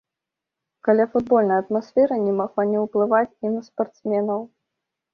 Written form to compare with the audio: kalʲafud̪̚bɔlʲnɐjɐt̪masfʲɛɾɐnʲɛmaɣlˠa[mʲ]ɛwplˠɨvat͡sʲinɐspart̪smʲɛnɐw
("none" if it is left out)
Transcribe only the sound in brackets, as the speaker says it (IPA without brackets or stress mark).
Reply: nʲ